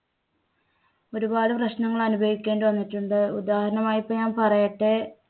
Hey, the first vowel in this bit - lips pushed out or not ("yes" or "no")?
yes